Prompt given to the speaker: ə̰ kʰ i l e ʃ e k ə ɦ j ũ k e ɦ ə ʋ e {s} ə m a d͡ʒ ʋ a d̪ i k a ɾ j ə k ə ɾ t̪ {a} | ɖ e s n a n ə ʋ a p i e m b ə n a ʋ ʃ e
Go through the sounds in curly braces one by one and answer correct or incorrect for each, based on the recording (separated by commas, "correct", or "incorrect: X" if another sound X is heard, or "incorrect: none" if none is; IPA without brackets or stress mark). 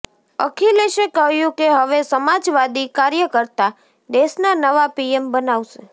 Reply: correct, correct